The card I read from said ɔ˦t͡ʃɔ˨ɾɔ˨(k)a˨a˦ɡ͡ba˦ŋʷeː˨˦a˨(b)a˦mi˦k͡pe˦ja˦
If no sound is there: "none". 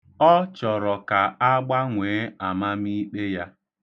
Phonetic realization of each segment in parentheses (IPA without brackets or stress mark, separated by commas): k, m